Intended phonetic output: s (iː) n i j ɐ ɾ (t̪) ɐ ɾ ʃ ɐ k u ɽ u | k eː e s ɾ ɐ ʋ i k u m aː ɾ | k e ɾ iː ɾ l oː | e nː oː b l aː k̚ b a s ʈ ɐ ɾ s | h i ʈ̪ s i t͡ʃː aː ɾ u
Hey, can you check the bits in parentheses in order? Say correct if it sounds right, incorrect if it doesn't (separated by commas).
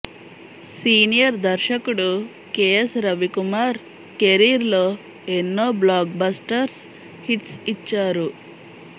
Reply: correct, incorrect